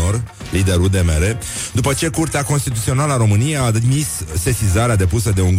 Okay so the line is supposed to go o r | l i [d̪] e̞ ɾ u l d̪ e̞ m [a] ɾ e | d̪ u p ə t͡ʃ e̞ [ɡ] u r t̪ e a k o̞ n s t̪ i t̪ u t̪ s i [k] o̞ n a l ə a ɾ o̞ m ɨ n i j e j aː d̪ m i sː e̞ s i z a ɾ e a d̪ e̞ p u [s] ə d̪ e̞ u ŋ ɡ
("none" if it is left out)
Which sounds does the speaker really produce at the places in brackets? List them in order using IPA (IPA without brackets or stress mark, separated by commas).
d̪, e, k, none, s